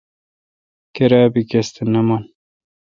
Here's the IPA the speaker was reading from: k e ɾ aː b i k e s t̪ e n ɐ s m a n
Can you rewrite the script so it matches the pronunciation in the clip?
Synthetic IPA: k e ɾ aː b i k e s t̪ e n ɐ m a n